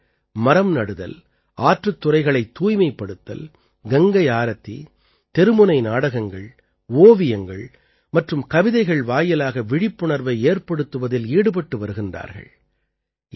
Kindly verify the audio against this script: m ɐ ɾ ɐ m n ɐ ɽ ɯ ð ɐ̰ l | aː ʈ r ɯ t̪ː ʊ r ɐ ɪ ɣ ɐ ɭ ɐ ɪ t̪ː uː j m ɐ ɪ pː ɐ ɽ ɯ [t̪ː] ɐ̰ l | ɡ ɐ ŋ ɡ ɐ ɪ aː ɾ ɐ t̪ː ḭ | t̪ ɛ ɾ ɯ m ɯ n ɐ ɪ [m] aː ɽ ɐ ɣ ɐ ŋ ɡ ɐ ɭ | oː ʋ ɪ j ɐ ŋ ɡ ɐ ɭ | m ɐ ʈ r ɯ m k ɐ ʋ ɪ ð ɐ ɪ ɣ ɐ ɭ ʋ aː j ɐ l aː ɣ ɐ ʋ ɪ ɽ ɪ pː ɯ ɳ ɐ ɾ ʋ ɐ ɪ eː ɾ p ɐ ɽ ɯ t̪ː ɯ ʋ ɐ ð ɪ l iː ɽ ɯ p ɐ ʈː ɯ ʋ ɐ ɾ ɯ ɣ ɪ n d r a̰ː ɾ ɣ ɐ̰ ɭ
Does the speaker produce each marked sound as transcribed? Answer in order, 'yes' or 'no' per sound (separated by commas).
yes, no